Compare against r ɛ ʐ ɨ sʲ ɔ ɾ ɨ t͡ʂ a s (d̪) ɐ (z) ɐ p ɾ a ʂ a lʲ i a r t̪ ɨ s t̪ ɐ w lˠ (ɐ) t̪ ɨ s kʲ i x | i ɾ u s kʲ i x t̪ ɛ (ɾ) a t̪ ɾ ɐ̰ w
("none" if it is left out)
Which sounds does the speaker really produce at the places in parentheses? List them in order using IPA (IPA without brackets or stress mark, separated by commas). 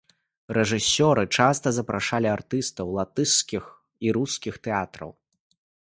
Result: t̪, z, a, none